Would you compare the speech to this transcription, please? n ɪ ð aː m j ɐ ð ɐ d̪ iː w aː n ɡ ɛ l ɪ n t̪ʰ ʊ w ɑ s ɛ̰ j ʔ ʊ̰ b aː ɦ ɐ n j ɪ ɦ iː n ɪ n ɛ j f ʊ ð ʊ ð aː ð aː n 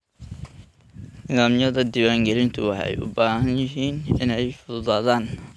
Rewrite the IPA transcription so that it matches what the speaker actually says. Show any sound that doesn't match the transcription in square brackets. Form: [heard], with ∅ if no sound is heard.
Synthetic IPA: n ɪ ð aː m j ɐ ð ɐ d̪ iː w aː [ŋ] ɡ ɛ l ɪ n t̪ʰ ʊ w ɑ [ħ] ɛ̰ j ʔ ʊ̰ b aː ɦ ɐ n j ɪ ɦ iː n ɪ n ɛ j f ʊ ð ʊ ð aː ð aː n

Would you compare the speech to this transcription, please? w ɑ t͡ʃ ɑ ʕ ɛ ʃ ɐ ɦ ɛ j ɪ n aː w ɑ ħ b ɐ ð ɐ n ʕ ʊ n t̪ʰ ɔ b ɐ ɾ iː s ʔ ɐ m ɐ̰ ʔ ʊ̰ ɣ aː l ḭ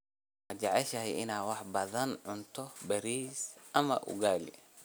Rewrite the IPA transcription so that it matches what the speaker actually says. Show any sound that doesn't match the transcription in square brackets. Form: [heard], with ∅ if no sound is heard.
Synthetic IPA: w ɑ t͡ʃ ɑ ʕ ɛ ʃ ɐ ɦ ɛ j ɪ n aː w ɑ ħ b ɐ ð ɐ n ʕ ʊ n t̪ʰ ɔ b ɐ ɾ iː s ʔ ɐ m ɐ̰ ʔ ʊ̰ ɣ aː l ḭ

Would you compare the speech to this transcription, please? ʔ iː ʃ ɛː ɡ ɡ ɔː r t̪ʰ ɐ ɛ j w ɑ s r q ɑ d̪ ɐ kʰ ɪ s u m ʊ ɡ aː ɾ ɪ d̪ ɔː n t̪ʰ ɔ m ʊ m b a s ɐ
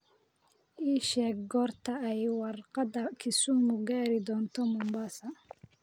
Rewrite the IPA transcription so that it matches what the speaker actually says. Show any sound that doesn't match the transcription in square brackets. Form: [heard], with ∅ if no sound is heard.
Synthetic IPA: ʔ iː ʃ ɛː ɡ ɡ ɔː r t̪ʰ ɐ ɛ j w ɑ [∅] r q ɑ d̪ ɐ kʰ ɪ s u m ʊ ɡ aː ɾ ɪ d̪ ɔː n t̪ʰ ɔ m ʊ m b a s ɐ

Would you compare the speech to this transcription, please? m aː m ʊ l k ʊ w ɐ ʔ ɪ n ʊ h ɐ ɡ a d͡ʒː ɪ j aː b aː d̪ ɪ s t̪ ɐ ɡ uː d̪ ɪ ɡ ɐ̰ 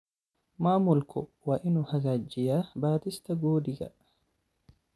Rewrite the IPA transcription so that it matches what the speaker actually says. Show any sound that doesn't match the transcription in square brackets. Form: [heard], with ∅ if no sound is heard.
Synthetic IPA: m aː m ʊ l k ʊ w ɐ ʔ ɪ n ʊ h ɐ ɡ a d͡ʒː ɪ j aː b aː [t̪] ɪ s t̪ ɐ ɡ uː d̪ ɪ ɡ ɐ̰

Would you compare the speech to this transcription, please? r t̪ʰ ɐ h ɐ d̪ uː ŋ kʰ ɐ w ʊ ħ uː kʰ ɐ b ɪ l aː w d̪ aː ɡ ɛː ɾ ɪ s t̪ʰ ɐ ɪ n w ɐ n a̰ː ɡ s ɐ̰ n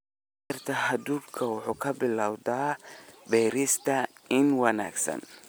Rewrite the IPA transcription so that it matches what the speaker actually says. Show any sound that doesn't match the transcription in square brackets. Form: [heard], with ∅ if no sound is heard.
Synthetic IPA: r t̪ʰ ɐ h ɐ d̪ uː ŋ kʰ ɐ w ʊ ħ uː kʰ ɐ b ɪ l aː w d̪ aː [b] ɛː ɾ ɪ s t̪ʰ ɐ ɪ n w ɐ n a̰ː ɡ s ɐ̰ n

